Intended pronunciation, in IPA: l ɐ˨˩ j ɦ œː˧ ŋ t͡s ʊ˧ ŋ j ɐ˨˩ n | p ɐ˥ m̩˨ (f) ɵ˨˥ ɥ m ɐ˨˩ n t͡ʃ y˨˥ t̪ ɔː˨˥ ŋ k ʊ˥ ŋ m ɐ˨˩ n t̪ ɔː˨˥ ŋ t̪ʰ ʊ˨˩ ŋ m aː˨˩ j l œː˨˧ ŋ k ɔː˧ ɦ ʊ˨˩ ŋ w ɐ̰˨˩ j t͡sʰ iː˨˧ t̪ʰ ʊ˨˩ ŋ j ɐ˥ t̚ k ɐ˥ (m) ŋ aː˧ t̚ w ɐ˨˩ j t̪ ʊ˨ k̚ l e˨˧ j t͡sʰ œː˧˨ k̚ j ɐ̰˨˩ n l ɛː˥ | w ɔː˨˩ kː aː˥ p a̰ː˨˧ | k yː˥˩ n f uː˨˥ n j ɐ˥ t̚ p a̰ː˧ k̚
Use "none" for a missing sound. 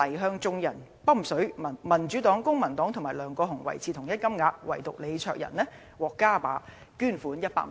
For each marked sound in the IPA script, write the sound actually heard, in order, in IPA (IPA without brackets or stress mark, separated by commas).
s, m